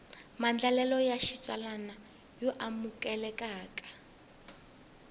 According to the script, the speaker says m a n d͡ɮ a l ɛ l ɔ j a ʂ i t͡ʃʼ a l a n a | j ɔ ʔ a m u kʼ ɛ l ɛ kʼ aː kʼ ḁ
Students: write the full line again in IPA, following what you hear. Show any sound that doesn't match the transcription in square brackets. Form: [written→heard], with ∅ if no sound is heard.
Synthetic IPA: m a n d͡ɮ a l ɛ l ɔ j a [ʂ→ʃ] i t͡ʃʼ a l a n a | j ɔ ʔ a m u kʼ ɛ l ɛ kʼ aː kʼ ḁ